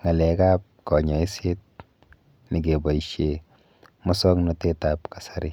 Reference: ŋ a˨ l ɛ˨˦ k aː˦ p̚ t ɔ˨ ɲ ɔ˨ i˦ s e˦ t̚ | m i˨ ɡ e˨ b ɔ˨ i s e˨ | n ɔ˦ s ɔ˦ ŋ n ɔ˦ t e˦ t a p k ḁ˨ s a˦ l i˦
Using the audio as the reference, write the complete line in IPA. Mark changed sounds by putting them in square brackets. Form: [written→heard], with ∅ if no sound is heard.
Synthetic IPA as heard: ŋ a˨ l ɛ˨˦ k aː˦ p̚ [t→k] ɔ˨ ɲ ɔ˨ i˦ s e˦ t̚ | [m→n] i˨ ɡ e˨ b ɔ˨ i [s→ʃ] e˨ | [n→m] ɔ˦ s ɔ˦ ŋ n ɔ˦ t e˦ t a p k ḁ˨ s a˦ [l→ɾ] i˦